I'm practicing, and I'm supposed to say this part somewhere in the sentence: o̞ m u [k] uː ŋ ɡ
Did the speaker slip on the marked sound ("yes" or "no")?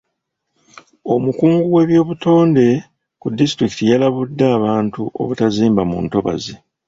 no